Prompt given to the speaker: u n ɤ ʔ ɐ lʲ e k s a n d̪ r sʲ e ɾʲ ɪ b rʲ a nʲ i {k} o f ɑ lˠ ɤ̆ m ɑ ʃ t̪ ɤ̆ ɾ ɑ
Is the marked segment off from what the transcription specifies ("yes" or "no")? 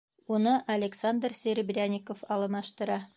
no